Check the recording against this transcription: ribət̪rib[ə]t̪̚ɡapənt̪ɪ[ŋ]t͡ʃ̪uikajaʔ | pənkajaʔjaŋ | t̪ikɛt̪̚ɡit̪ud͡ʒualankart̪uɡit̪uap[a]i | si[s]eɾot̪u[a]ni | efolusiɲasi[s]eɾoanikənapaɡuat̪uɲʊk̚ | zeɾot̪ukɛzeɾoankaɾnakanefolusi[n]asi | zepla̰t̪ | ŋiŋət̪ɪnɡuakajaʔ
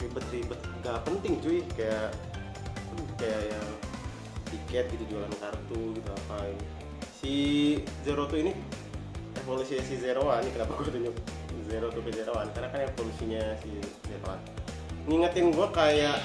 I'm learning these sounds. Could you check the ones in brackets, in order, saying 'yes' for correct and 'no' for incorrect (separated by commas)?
yes, yes, yes, no, no, no, no